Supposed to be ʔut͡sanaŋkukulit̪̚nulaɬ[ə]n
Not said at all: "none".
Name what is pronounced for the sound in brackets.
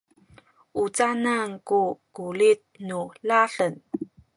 ə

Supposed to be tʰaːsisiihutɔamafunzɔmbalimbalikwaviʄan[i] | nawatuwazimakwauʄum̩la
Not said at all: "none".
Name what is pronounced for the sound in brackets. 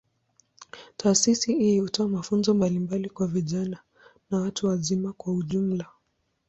a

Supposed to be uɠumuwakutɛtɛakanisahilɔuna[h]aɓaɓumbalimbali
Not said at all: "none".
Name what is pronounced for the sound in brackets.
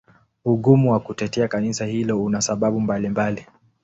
s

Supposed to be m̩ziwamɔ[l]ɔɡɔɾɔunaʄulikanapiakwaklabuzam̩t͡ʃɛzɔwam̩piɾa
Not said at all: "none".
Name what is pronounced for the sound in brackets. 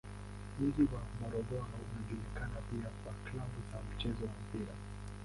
ɾ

